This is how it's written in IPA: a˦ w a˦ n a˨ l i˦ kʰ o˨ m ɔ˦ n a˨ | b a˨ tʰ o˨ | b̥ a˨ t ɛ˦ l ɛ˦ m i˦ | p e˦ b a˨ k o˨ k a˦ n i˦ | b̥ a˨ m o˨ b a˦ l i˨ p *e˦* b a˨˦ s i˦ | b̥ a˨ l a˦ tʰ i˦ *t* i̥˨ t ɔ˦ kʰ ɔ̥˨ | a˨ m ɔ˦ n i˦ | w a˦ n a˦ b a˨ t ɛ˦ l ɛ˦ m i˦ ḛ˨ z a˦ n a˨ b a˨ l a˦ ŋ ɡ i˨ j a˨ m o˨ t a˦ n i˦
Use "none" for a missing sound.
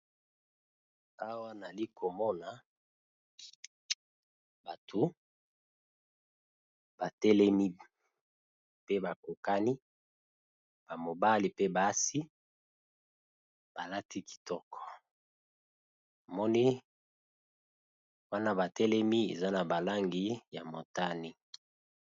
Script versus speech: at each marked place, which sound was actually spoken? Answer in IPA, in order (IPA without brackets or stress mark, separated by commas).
e˦, k